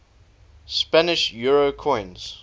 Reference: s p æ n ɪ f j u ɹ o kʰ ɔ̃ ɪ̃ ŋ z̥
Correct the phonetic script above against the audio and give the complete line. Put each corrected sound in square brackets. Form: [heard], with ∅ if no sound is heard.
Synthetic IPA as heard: s p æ n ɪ [ʃ] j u ɹ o kʰ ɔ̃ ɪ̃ [n] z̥